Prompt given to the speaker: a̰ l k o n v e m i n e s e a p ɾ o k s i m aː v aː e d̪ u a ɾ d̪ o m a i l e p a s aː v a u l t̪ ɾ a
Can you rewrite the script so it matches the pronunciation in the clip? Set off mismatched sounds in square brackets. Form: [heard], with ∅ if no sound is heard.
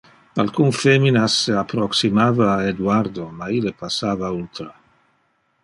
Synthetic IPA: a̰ l k [u] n [f] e m i n [a] s e a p ɾ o k s i m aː v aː e d̪ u a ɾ d̪ o m a i l e p a s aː v a u l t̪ ɾ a